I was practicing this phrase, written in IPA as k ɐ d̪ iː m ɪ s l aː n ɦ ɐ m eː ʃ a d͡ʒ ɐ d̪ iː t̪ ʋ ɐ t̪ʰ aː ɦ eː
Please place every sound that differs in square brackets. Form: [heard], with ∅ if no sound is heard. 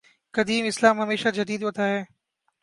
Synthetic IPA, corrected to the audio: k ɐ d̪ iː m ɪ s l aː [m] ɦ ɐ m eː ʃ a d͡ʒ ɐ d̪ iː [d̪] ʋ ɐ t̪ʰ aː ɦ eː